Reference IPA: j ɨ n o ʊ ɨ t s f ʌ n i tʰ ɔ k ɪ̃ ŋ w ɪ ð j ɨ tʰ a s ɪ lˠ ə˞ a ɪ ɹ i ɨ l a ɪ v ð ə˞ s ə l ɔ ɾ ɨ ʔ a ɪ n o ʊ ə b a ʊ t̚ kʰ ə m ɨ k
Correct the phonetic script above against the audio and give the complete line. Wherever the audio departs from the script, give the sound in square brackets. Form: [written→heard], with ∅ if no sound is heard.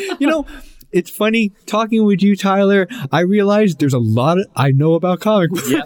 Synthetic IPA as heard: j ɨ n o ʊ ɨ t s f ʌ n i tʰ ɔ k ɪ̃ ŋ w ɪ ð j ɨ tʰ a [s→∅] ɪ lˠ ə˞ a ɪ ɹ i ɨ l a ɪ [v→z] ð ə˞ [s→z] ə l ɔ ɾ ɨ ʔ a ɪ n o ʊ ə b a ʊ t̚ kʰ [ə→ɑ] m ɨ k